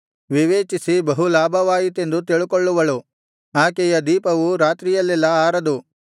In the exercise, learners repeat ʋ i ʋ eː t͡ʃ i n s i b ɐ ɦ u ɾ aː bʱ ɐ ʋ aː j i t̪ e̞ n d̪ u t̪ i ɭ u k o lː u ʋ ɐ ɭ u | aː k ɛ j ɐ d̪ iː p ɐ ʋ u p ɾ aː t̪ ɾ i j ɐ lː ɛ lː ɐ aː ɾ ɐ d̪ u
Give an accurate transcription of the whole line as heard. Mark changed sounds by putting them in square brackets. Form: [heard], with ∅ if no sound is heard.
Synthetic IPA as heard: ʋ i ʋ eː t͡ʃ i [∅] s i b ɐ ɦ u [l] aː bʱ ɐ ʋ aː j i t̪ e̞ n d̪ u t̪ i ɭ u k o [ɭː] u ʋ ɐ ɭ u | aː k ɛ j ɐ d̪ iː p ɐ ʋ u [∅] ɾ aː t̪ ɾ i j ɐ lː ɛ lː ɐ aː ɾ ɐ d̪ u

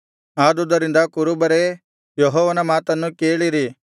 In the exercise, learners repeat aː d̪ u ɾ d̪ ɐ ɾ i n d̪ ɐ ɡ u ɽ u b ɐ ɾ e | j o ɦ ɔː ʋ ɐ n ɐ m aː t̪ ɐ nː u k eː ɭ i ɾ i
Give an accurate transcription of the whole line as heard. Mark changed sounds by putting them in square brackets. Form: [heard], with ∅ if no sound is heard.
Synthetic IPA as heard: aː d̪ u [∅] d̪ ɐ ɾ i n d̪ ɐ [k] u [ɾ] u b ɐ ɾ e | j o ɦ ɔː ʋ ɐ n ɐ m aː t̪ ɐ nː u k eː ɭ i ɾ i

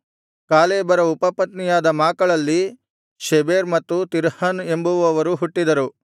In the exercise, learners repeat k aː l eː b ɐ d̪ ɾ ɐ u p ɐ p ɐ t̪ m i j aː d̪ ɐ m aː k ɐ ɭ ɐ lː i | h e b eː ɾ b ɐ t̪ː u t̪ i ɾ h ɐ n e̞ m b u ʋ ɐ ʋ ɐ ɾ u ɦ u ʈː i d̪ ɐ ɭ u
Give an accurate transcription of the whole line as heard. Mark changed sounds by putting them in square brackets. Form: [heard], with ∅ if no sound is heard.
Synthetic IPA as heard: k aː l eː b ɐ [∅] ɾ ɐ u p ɐ p ɐ t̪ [n] i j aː d̪ ɐ m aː k ɐ ɭ ɐ lː i | [ʃ] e b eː ɾ [m] ɐ t̪ː u t̪ i ɾ h ɐ n e̞ m b u ʋ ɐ ʋ ɐ ɾ u ɦ u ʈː i d̪ ɐ [ɾ] u

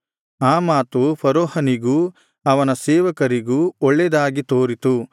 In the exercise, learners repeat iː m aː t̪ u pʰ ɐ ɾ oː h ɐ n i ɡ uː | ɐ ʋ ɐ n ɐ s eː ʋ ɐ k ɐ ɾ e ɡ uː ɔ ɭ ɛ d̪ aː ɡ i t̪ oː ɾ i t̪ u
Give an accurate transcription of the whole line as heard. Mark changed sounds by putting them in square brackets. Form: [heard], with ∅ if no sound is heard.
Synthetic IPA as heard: [aː] m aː t̪ u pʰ ɐ ɾ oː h ɐ n i ɡ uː | ɐ ʋ ɐ n ɐ s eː ʋ ɐ k ɐ ɾ [i] ɡ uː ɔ [ɭː] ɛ d̪ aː ɡ i t̪ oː ɾ i t̪ u

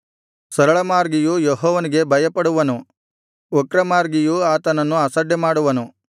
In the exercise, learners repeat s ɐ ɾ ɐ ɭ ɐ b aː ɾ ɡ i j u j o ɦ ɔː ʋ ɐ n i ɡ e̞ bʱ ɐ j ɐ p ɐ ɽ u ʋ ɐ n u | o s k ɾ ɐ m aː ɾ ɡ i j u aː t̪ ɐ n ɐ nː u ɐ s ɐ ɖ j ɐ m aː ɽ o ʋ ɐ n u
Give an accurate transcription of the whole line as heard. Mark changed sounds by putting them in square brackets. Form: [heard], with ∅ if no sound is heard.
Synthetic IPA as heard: s ɐ ɾ ɐ ɭ ɐ [m] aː ɾ ɡ i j u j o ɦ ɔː ʋ ɐ n i ɡ e̞ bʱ ɐ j ɐ p ɐ ɽ u ʋ ɐ n u | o [∅] k ɾ ɐ m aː ɾ ɡ i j u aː t̪ ɐ n ɐ nː u ɐ s ɐ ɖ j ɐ m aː ɽ [u] ʋ ɐ n u

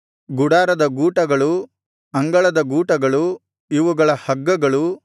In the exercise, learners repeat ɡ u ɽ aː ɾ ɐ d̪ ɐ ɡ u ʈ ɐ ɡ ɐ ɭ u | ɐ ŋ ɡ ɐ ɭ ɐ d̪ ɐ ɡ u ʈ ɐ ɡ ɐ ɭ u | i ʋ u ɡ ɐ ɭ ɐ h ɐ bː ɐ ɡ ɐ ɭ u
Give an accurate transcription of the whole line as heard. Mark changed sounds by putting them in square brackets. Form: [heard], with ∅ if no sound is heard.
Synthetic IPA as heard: ɡ u ɽ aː ɾ ɐ d̪ ɐ ɡ [uː] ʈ ɐ ɡ ɐ ɭ u | ɐ ŋ ɡ ɐ ɭ ɐ d̪ ɐ ɡ [uː] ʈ ɐ ɡ ɐ ɭ u | i ʋ u ɡ ɐ ɭ ɐ h ɐ [ɡː] ɐ ɡ ɐ ɭ u

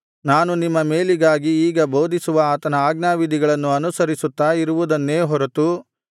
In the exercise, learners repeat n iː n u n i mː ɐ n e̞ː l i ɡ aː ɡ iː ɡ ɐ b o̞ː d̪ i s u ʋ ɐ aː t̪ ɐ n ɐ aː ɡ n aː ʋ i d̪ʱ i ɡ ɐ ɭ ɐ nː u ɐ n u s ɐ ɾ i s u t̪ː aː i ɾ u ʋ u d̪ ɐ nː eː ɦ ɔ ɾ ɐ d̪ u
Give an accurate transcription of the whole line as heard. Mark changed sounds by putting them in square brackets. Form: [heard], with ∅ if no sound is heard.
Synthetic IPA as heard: n [aː] n u n i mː ɐ [m] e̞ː l i ɡ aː ɡ iː ɡ ɐ b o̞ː d̪ i s u ʋ ɐ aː t̪ ɐ n ɐ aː ɡ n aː ʋ i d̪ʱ i ɡ ɐ ɭ ɐ nː u ɐ n u s ɐ ɾ i s u t̪ː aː i ɾ u ʋ u d̪ ɐ nː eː ɦ ɔ ɾ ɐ [t̪] u

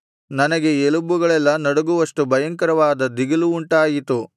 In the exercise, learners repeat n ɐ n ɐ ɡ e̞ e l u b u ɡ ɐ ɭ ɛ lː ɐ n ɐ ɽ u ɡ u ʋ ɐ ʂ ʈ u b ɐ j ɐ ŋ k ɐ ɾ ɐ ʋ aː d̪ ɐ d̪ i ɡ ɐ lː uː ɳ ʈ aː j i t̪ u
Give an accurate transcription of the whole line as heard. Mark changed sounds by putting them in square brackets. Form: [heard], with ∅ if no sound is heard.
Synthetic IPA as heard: n ɐ n ɐ ɡ e̞ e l u b u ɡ ɐ ɭ ɛ lː ɐ n ɐ ɽ u ɡ u ʋ ɐ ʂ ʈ u b ɐ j ɐ ŋ k ɐ ɾ ɐ ʋ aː d̪ ɐ d̪ i ɡ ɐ [l] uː ɳ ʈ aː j i t̪ u

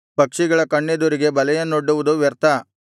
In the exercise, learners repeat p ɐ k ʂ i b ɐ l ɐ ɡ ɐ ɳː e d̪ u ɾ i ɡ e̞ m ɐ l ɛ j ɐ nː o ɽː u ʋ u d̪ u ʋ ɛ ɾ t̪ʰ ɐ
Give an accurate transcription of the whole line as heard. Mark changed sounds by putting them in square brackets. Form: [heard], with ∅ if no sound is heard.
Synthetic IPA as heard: p ɐ k ʂ i [ɡ] ɐ [ɭ] ɐ [k] ɐ ɳː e d̪ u ɾ i ɡ e̞ [b] ɐ l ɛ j ɐ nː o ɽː u ʋ u d̪ u ʋ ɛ ɾ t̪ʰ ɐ

